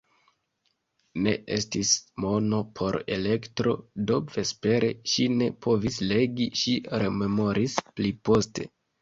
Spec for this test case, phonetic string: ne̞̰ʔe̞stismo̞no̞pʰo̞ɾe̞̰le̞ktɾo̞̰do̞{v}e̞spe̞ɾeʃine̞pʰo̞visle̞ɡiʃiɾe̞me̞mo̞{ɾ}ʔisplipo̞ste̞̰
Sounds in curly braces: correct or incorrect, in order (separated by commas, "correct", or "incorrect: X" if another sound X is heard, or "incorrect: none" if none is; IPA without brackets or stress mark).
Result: correct, correct